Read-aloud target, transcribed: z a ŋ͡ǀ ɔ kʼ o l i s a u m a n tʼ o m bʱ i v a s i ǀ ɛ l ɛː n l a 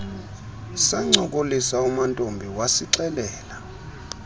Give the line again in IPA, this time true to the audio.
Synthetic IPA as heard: s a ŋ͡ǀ ɔ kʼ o l i s a u m a n tʼ o m bʱ i w a s i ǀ ɛ l ɛː l a